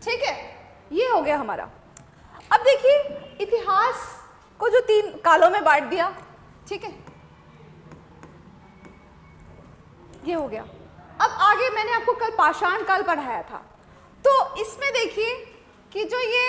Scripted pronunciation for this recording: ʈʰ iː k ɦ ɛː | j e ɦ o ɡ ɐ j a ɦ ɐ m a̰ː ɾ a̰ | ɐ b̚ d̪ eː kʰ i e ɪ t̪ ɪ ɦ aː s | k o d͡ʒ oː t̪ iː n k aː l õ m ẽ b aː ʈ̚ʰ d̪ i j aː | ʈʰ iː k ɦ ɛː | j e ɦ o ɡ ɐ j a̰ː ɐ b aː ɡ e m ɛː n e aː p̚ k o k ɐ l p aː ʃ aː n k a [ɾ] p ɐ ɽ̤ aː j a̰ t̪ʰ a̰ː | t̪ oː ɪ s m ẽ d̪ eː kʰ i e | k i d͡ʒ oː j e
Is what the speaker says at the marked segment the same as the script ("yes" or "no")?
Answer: no